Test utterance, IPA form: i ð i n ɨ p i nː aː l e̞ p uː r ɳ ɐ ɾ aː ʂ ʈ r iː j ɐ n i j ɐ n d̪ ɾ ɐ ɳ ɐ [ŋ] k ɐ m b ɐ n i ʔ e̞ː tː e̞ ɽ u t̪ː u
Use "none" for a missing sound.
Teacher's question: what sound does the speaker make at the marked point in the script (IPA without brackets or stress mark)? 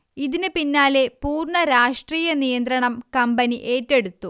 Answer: m